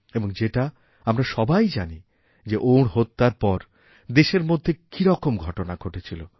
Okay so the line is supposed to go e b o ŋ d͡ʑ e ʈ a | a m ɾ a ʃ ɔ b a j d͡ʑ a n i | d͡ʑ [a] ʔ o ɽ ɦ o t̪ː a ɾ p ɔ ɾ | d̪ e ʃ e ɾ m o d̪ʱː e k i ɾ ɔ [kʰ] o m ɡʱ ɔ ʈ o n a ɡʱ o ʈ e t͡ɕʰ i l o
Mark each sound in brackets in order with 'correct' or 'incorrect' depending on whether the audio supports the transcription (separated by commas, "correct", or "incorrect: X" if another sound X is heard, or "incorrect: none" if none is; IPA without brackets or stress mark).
incorrect: e, incorrect: k